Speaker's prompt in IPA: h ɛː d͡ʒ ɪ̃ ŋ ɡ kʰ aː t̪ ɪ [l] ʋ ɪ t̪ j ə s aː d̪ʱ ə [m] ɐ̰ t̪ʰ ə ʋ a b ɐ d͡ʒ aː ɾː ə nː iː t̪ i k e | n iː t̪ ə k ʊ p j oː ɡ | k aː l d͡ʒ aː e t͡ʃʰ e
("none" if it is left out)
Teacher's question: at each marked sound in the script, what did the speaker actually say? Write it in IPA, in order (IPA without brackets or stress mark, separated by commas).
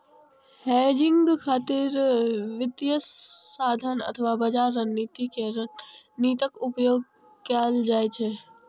ɾ, n